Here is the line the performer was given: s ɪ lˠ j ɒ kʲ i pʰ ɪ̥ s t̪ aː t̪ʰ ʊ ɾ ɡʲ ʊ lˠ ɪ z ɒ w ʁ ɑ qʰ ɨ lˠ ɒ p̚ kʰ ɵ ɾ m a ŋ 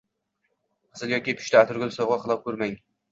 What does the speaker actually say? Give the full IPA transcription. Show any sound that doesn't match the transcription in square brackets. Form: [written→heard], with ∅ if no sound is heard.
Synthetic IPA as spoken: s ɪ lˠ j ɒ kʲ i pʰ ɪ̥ [s→ʃ] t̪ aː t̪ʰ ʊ ɾ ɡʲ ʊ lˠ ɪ [z→s] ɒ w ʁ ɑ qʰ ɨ lˠ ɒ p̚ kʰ ɵ ɾ m a ŋ